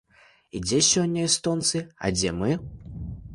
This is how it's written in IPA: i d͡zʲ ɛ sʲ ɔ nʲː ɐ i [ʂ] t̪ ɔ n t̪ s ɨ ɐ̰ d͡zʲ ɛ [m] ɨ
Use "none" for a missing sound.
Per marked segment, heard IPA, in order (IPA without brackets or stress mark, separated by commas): s, m